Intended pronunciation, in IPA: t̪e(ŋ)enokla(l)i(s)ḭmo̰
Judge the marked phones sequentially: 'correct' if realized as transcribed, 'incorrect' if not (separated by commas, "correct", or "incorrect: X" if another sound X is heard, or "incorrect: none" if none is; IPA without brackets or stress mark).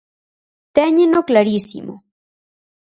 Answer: incorrect: ɲ, incorrect: ɾ, correct